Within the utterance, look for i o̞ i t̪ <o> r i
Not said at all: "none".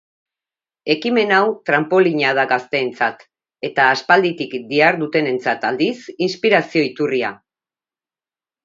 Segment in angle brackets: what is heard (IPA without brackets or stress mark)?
u